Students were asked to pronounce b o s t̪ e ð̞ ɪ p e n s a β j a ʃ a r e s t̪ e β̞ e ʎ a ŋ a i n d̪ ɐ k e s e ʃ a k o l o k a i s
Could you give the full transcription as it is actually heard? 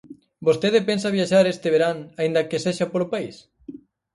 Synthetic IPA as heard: b o s t̪ e ð̞ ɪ p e n s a β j a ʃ a ɾ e s t̪ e β̞ e ɾ a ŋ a i n d̪ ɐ k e s e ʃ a p o l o p a i s